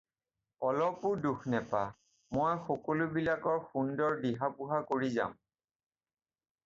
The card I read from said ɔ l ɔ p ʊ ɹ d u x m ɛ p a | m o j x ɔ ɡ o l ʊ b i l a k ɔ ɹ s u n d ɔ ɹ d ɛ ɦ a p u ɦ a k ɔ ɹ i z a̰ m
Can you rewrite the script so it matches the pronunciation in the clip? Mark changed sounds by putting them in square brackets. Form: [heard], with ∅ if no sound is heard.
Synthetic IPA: ɔ l ɔ p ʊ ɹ d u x [n] ɛ p a | m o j x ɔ [k] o l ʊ b i l a k ɔ ɹ [x] u n d ɔ ɹ d [i] ɦ a p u ɦ a k [o] ɹ i z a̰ m

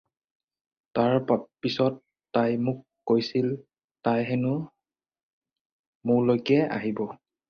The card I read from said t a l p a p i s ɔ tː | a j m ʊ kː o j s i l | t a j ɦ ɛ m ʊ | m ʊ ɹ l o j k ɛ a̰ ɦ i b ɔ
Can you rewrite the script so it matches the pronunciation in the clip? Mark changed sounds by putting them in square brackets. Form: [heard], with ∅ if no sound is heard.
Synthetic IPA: t a [ɹ] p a p i s ɔ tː | a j m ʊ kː o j s i l | t a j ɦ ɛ [n] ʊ | m ʊ ɹ l o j k ɛ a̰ ɦ i b ɔ

